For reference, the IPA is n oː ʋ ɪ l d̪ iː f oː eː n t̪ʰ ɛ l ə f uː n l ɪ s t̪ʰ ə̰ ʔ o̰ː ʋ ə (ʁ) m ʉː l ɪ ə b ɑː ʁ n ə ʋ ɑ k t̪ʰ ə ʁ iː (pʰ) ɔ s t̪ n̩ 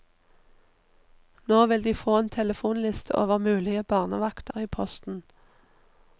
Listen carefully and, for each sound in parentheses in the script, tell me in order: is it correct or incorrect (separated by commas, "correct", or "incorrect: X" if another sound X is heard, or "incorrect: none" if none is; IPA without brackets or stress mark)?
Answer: correct, correct